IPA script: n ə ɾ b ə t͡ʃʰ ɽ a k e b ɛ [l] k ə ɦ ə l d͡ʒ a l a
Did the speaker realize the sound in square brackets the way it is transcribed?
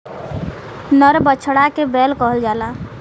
yes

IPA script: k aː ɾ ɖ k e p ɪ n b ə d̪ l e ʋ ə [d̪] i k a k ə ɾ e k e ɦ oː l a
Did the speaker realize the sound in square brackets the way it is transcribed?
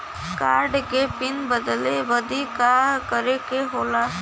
yes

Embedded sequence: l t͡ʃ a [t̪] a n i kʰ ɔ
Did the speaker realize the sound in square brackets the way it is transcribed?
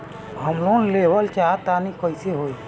yes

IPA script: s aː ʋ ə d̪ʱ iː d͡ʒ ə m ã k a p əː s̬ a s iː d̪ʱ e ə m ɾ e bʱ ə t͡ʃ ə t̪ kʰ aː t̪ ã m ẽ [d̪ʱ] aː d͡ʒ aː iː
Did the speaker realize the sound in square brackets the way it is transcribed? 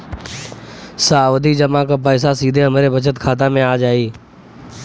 no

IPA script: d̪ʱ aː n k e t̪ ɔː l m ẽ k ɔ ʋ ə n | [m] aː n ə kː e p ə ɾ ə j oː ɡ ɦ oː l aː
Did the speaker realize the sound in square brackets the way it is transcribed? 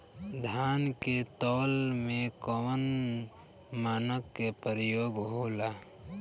yes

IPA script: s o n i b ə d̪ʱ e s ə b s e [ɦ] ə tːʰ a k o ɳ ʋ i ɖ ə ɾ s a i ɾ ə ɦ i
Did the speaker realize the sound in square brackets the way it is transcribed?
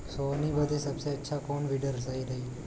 no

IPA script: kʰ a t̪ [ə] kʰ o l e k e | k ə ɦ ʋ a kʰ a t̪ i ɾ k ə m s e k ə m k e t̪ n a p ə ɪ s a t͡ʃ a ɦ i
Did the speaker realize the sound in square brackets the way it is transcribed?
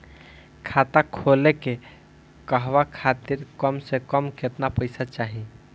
no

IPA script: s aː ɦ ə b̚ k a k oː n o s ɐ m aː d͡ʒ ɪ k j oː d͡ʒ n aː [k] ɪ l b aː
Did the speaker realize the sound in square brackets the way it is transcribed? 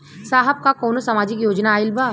no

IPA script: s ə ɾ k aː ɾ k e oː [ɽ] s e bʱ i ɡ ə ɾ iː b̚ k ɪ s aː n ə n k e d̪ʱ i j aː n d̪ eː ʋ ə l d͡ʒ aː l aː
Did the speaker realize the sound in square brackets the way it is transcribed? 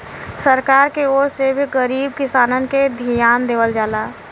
no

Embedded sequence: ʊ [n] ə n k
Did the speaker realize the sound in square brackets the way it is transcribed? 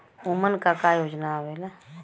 no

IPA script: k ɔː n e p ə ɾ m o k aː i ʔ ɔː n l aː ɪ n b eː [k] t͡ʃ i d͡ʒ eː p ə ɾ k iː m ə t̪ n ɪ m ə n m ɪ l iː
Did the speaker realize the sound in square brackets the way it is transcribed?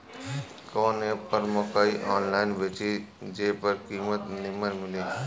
no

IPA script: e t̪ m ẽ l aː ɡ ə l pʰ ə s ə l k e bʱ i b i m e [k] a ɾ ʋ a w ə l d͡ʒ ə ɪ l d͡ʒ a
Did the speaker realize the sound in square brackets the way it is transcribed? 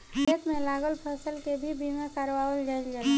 yes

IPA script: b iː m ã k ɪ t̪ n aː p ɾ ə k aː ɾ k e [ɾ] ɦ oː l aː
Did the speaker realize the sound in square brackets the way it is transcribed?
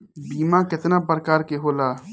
no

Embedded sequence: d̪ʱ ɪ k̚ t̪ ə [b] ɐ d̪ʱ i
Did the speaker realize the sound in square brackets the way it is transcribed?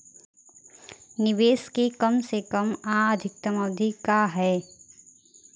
no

